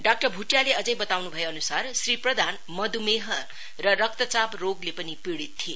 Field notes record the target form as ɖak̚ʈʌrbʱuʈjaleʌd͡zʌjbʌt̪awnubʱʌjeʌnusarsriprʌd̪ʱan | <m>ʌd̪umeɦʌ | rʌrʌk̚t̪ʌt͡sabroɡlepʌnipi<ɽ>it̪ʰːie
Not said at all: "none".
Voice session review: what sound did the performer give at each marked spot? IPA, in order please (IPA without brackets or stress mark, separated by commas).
m, ɽ